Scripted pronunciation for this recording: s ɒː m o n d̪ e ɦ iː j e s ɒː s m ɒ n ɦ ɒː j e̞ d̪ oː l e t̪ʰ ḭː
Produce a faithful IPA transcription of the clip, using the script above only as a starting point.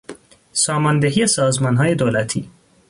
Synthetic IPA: s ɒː m ɒ n d̪ e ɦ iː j e s ɒː z m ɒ n ɦ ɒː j e̞ d̪ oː l æ t̪ʰ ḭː